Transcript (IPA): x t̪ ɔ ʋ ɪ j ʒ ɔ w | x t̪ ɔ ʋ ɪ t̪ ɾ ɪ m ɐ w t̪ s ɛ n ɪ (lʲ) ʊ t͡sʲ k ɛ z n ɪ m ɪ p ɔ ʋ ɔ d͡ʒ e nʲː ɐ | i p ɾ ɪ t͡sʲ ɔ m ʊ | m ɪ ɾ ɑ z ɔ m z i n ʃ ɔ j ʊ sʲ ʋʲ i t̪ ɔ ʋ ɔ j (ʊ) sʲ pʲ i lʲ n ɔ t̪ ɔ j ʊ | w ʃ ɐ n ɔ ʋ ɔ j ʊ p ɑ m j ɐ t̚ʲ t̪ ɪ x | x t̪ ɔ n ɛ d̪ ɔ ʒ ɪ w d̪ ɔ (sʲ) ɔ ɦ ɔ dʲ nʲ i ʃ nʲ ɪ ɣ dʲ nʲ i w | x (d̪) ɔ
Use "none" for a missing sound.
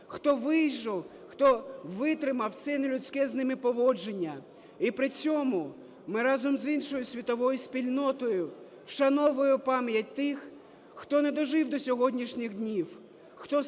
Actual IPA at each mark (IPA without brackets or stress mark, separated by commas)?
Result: lʲ, ʊ, sʲ, t̪